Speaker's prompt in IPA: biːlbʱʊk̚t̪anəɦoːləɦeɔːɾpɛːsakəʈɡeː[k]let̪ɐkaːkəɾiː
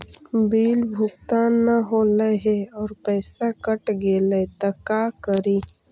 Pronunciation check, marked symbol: incorrect: none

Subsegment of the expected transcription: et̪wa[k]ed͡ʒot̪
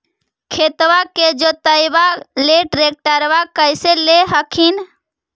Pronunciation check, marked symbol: correct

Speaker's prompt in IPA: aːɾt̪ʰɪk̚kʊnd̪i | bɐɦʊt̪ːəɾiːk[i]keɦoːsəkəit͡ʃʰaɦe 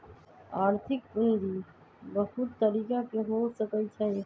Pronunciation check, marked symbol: incorrect: a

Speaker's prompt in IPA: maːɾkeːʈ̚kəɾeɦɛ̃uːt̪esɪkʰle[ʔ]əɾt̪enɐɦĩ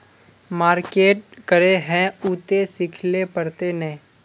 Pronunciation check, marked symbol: incorrect: p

